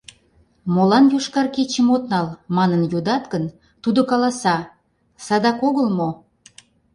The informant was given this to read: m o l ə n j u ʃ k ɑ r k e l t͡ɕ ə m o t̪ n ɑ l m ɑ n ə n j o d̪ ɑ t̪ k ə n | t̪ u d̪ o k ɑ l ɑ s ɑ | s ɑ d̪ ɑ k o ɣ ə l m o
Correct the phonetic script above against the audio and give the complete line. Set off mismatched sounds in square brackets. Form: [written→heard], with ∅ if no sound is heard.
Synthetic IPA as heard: m o l [ə→ɑ] n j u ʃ k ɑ r k e [l→∅] t͡ɕ ə m o t̪ n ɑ l m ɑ n ə n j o d̪ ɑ t̪ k ə n | t̪ u d̪ o k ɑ l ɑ s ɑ | s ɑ d̪ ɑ k o ɣ ə l m o

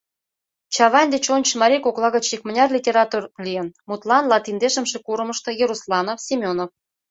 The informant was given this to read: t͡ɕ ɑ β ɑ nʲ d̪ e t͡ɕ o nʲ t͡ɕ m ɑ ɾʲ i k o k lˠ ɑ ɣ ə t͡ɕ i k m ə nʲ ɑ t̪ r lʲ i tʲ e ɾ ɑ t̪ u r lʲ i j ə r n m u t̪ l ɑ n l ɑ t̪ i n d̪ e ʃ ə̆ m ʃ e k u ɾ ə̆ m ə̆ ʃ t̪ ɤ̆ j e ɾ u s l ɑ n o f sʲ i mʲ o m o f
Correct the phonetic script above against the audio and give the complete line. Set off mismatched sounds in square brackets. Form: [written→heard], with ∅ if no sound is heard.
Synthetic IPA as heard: t͡ɕ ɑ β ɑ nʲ d̪ e t͡ɕ o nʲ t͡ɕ m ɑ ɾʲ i k o k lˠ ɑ ɣ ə t͡ɕ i k m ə nʲ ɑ [t̪→∅] r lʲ i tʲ e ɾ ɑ t̪ u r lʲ i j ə [r→∅] n m u t̪ l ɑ n l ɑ t̪ i n d̪ e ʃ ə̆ m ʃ e k u ɾ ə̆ m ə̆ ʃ t̪ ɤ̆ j e ɾ u s l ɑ n o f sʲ i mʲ o [m→n] o f

